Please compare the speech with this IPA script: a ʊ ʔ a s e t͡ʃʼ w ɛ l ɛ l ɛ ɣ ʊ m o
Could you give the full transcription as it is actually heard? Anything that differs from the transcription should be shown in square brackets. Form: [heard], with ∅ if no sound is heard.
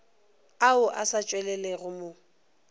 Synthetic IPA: a ʊ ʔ a s [a] t͡ʃʼ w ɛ l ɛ l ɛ ɣ ʊ m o